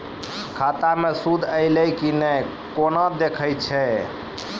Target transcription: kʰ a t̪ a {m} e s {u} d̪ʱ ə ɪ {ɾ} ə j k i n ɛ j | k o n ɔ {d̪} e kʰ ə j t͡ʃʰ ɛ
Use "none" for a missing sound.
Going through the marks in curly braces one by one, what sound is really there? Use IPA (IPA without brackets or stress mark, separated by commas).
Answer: m, u, l, d̪